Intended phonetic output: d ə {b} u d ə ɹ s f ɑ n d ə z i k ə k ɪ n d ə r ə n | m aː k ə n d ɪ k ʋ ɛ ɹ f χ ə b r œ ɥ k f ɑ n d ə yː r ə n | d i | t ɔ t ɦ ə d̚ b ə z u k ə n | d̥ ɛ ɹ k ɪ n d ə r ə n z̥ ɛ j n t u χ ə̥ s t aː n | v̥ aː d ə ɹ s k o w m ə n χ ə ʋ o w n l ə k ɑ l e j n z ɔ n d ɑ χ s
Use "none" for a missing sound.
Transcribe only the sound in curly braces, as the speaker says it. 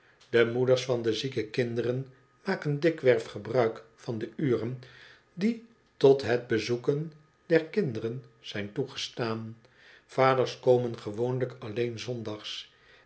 m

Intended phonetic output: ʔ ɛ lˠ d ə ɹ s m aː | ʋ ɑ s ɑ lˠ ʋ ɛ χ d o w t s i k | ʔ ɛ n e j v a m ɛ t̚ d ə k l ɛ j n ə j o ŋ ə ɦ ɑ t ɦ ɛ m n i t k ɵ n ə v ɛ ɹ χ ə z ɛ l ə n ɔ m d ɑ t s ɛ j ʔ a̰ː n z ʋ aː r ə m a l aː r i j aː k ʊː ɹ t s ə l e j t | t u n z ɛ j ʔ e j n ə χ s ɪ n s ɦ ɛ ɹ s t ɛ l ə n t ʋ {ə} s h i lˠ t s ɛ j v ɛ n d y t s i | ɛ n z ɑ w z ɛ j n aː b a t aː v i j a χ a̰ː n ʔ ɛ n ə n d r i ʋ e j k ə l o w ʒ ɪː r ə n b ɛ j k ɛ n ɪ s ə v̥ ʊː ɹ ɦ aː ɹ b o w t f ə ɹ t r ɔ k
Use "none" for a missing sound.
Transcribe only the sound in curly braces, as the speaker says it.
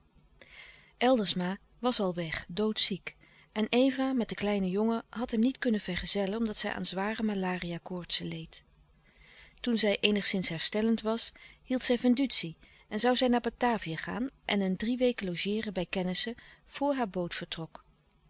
ɑ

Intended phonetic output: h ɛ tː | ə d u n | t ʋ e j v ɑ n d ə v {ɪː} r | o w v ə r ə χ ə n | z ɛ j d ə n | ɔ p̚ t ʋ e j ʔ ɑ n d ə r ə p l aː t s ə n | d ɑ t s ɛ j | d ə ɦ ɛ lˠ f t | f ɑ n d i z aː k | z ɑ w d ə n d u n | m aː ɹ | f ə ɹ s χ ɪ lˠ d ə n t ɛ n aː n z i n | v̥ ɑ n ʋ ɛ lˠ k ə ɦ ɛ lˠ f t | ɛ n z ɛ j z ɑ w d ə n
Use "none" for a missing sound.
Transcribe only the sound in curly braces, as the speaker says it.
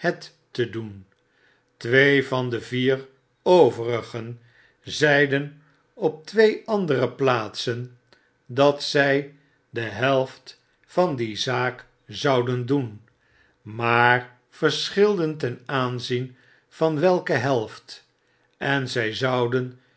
iː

